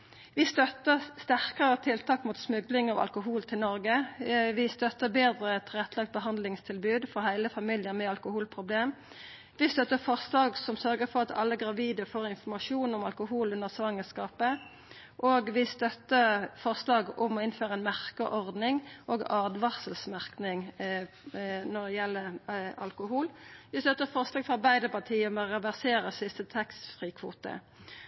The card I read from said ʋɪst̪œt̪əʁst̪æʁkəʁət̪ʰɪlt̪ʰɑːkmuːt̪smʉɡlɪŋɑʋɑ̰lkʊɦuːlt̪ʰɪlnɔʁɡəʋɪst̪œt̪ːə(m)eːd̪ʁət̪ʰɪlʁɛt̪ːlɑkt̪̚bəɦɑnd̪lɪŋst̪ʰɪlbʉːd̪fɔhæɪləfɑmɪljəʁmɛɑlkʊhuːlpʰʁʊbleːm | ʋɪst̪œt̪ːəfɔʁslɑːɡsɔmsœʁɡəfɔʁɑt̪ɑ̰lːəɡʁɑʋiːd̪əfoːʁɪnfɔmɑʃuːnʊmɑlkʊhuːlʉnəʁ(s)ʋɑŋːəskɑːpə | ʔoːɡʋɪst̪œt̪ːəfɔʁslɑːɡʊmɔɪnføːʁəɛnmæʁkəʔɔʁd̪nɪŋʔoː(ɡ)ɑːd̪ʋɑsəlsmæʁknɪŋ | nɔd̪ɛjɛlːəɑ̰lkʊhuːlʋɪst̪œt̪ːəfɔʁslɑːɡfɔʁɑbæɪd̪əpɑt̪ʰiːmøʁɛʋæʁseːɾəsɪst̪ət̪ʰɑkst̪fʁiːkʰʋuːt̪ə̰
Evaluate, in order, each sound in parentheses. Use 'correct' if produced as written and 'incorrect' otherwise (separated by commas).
incorrect, correct, correct